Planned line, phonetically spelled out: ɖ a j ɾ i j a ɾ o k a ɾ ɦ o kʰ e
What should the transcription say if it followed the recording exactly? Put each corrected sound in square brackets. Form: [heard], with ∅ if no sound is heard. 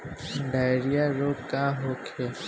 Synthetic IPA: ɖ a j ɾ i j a ɾ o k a [∅] ɦ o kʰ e